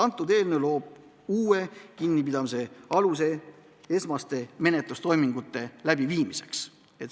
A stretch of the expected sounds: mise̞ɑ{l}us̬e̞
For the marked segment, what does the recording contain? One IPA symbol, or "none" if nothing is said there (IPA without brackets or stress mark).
l